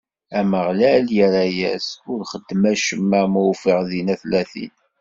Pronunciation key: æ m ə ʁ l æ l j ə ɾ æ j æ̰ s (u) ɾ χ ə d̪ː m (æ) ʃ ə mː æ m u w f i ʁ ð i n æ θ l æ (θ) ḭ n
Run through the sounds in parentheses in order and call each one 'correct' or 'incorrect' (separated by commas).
incorrect, correct, correct